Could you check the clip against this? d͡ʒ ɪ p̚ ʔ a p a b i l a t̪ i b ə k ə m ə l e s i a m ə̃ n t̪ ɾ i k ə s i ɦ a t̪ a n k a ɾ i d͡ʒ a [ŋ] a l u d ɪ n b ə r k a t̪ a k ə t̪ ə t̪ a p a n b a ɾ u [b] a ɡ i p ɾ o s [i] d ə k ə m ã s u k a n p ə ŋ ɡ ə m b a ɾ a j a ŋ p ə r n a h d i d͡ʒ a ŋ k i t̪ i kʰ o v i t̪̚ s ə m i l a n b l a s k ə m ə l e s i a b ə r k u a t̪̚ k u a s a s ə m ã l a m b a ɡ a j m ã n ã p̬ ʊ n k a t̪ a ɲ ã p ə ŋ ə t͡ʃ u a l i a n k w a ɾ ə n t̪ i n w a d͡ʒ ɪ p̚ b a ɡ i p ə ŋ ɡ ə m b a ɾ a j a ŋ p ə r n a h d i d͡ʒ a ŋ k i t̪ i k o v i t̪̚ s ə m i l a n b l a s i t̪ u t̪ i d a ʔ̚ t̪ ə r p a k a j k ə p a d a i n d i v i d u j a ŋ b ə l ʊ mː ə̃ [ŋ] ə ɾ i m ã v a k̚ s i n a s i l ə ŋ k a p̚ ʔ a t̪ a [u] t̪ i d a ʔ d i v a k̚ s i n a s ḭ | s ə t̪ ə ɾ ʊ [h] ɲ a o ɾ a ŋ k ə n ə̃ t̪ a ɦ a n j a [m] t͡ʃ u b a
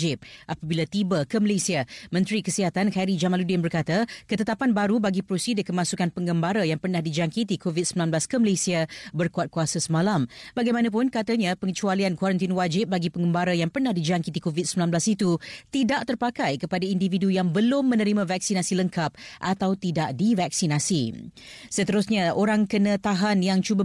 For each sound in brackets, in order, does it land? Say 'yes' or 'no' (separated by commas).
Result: no, yes, yes, no, no, no, no